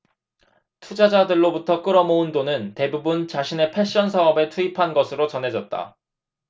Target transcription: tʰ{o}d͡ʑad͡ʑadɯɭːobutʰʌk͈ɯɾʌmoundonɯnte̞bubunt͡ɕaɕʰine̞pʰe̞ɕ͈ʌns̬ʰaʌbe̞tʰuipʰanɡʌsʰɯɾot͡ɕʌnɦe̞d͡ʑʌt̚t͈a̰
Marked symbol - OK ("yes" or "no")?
no